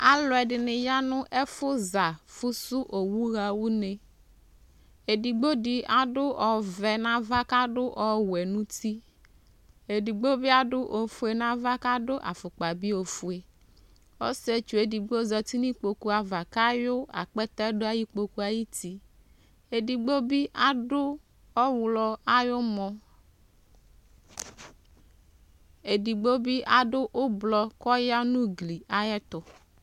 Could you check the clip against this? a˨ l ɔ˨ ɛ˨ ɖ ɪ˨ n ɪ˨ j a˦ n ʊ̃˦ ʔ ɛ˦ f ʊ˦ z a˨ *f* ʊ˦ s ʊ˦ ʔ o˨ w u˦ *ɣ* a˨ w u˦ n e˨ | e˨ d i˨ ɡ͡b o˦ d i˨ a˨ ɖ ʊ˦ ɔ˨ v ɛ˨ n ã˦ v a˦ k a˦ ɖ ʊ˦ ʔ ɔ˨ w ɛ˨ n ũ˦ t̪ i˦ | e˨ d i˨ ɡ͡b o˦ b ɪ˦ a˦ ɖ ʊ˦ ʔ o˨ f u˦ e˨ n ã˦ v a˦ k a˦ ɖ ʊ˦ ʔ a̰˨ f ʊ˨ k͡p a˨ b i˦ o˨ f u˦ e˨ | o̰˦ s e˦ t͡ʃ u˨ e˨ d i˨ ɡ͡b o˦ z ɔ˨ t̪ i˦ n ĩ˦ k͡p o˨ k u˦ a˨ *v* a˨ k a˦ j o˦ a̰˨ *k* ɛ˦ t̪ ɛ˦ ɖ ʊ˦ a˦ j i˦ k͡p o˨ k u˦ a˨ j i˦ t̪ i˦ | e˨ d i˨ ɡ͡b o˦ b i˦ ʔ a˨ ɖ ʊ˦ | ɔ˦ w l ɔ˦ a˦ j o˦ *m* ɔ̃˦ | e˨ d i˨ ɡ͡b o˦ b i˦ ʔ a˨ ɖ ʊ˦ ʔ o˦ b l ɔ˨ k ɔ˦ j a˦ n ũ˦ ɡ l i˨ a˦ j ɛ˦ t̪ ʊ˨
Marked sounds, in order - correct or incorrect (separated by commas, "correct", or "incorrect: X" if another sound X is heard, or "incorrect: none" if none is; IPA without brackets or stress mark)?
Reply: correct, correct, correct, incorrect: k͡p, correct